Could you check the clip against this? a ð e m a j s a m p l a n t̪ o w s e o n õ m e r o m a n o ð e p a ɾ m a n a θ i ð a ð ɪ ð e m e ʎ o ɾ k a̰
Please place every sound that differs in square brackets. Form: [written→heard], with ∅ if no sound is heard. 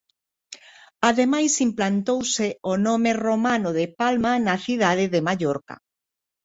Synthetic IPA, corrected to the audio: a ð e m a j s [a→i] m p l a n t̪ o w s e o n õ m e r o m a n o ð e p a [ɾ→l] m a n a θ i ð a ð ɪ ð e m [e→a] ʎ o ɾ k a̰